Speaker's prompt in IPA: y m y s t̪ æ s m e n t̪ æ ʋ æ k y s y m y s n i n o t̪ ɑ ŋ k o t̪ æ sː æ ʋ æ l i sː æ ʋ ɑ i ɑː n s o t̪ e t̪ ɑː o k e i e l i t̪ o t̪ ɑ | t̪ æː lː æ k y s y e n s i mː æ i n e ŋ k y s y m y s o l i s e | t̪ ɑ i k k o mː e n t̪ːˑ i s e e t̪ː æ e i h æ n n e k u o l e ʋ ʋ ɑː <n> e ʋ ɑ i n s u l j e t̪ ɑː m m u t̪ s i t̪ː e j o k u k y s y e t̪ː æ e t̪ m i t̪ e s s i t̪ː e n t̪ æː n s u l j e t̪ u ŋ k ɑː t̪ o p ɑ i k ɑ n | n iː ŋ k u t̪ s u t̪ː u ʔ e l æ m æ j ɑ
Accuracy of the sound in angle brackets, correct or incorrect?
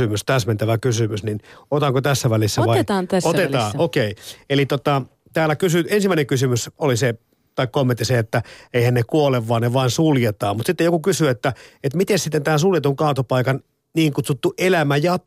correct